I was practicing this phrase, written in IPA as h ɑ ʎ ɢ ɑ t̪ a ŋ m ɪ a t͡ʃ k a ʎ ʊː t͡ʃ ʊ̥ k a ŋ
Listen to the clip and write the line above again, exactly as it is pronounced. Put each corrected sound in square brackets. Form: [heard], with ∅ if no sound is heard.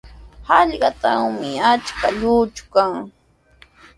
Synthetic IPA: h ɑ ʎ ɢ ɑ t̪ a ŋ m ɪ a t͡ʃ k a ʎ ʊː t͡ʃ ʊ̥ k a ŋ